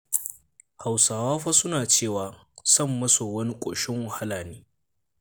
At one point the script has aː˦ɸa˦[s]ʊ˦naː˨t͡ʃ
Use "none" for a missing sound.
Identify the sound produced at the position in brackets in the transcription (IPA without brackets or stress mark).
s